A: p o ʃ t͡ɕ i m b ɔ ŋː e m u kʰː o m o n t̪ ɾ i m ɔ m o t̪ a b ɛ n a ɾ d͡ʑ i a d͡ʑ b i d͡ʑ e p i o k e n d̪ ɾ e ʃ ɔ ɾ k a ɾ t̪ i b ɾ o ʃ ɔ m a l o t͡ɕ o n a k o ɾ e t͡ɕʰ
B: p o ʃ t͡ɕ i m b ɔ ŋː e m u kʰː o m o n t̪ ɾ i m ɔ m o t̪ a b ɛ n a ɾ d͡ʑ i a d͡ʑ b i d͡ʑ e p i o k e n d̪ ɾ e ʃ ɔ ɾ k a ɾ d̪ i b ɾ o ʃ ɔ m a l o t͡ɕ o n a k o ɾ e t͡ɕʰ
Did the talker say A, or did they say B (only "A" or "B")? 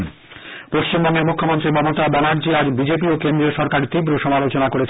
A